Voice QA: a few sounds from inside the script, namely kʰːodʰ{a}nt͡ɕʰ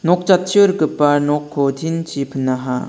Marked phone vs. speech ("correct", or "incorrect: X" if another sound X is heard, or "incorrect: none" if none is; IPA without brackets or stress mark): incorrect: i